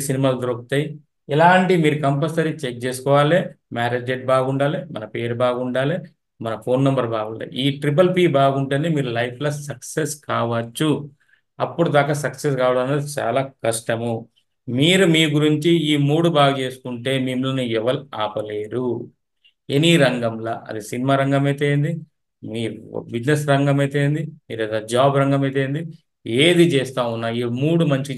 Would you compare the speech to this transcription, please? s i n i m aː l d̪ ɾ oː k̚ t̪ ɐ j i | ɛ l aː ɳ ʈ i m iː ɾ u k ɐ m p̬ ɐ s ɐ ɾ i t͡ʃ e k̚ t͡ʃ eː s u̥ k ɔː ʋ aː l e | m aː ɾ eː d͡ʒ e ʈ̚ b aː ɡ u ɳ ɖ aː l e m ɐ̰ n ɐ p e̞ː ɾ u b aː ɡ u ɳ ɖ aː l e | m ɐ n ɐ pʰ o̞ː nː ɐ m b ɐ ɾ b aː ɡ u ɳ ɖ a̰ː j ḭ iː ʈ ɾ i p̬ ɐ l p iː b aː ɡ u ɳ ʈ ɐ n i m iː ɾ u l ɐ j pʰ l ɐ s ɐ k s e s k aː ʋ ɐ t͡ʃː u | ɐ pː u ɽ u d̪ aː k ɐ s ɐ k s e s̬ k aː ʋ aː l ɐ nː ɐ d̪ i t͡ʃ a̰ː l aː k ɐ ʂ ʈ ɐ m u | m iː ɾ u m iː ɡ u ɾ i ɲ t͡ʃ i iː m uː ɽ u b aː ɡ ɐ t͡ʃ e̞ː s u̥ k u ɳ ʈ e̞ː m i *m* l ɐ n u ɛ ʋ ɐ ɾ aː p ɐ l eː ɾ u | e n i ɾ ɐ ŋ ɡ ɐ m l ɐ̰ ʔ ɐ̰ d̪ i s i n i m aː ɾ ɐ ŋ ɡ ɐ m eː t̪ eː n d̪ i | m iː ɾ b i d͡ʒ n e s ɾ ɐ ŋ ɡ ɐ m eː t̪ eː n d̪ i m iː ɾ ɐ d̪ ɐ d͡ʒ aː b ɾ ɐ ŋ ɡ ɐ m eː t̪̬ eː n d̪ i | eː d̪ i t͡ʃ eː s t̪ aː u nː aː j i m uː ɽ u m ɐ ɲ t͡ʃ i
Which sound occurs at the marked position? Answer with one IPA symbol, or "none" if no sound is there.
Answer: m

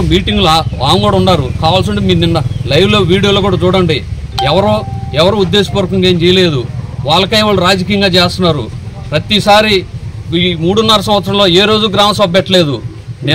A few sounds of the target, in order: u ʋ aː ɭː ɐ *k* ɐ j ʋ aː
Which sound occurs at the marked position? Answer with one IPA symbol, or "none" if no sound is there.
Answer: k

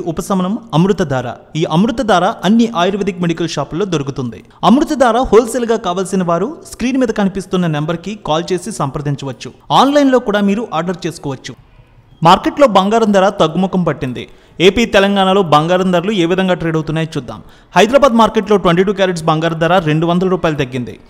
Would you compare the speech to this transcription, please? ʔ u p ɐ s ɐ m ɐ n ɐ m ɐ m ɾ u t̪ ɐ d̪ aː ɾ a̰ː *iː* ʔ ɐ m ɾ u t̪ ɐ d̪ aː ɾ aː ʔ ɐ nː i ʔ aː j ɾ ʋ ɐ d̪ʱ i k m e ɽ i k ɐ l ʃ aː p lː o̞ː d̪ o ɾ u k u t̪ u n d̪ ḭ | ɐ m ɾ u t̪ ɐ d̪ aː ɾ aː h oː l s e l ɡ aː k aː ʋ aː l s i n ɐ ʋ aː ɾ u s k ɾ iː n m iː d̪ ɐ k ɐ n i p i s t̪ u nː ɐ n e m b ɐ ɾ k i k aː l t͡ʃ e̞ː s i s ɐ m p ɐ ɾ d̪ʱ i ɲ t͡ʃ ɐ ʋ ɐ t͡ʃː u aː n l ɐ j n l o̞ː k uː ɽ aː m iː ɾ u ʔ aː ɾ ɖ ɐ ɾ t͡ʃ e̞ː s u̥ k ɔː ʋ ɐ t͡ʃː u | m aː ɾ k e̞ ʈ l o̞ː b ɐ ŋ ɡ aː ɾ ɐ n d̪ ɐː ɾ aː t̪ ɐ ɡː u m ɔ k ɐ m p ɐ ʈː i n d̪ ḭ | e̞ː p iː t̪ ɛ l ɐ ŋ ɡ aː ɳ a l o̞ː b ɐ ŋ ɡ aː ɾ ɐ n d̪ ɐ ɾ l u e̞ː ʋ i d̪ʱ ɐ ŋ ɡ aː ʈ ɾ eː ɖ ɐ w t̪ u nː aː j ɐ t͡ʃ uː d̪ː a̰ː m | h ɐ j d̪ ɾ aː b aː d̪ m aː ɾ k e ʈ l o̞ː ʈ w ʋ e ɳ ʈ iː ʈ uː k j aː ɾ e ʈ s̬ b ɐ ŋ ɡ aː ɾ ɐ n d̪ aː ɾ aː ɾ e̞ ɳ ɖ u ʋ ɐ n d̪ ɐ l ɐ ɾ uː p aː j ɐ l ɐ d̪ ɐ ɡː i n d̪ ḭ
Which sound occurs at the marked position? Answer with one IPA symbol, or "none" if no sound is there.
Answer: iː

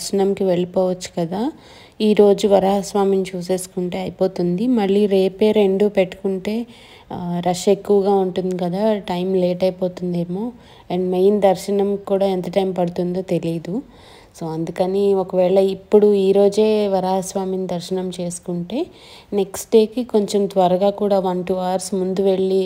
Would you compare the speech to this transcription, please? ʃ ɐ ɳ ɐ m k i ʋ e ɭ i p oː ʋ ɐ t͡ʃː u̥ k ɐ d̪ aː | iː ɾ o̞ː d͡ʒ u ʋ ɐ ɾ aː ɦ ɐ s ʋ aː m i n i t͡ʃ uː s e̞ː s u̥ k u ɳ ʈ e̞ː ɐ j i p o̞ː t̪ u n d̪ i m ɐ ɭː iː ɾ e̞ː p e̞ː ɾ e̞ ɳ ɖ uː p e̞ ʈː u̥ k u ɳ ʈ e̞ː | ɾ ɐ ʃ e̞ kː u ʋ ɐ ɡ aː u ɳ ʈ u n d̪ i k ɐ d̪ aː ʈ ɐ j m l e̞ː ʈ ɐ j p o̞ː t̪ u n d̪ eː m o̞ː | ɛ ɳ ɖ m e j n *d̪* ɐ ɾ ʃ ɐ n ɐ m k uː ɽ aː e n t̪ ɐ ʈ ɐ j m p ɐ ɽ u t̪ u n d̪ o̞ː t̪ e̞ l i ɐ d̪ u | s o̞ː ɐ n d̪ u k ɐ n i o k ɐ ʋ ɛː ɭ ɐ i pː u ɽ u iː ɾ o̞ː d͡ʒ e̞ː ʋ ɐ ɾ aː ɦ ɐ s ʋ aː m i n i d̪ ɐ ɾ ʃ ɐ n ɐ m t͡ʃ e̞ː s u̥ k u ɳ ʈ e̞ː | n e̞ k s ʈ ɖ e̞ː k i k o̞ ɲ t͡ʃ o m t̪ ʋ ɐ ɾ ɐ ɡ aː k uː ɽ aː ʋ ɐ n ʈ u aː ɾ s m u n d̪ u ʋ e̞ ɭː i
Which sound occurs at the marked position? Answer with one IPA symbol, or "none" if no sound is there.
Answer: d̪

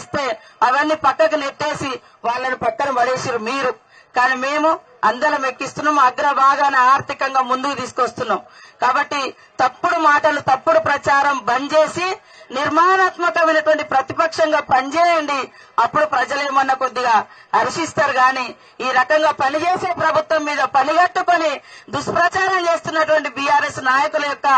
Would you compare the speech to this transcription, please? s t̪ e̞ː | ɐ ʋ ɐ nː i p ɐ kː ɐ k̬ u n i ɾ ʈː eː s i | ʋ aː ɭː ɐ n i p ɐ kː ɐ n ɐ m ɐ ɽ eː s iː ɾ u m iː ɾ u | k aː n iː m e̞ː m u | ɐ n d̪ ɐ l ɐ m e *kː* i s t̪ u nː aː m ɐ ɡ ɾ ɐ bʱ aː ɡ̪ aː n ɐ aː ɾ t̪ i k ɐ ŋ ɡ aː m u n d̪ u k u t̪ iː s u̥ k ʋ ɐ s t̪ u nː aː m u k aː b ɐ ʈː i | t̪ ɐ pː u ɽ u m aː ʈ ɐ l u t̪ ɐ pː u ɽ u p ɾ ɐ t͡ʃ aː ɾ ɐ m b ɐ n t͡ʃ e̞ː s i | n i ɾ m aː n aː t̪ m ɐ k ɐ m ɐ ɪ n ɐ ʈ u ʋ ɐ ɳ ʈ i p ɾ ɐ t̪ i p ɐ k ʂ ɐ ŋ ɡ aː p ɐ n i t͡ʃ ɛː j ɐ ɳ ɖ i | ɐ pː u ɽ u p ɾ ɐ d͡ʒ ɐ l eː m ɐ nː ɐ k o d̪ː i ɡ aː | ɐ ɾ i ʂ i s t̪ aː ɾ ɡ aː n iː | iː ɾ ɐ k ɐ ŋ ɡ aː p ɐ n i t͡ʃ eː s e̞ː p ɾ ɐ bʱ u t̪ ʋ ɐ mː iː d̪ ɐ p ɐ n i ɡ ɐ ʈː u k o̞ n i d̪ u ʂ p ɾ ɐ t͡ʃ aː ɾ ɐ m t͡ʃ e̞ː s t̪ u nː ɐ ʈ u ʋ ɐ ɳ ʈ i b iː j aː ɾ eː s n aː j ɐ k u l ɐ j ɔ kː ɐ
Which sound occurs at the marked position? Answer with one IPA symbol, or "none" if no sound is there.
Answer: kː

